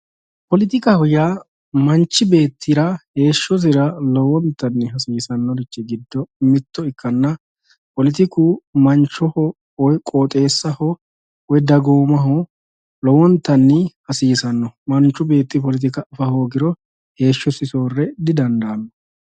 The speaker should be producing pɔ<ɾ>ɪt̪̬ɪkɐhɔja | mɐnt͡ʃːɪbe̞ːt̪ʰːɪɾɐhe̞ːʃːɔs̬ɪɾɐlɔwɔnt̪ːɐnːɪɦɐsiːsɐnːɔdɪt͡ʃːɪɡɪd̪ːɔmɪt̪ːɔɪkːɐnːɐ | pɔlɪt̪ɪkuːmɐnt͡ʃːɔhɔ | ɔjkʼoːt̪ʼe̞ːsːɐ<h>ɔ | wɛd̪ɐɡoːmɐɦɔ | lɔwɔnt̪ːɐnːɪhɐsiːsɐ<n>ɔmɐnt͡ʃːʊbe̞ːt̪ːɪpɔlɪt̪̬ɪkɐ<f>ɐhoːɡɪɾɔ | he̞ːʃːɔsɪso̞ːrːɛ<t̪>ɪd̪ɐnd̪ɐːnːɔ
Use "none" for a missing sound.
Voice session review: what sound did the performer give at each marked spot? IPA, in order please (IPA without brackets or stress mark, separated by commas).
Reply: l, h, nː, f, d̪